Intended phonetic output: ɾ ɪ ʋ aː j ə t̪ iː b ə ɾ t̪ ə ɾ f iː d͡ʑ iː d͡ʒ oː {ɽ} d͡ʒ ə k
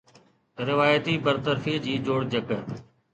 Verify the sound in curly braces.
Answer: correct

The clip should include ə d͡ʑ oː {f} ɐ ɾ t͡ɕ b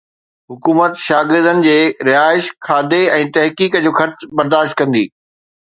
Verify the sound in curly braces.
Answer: incorrect: x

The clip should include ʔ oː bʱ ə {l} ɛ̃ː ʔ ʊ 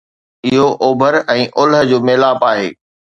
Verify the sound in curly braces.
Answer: incorrect: ɾ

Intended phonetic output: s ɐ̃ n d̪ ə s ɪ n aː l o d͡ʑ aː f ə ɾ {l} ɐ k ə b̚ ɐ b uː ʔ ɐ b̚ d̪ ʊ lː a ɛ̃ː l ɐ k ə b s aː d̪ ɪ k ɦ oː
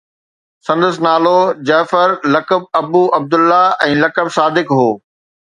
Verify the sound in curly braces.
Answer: correct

